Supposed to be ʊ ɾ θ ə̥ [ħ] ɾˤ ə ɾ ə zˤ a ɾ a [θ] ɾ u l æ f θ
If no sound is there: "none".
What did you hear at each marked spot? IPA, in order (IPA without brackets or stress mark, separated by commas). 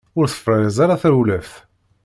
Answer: f, θ